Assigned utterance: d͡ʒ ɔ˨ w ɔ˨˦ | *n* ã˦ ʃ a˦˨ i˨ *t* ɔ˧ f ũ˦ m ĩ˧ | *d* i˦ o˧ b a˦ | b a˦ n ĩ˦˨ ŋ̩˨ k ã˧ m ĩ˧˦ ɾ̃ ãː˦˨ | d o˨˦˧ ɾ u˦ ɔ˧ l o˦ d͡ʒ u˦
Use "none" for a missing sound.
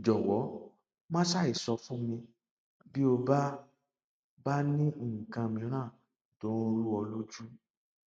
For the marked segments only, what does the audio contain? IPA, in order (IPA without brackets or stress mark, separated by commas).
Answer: m, s, b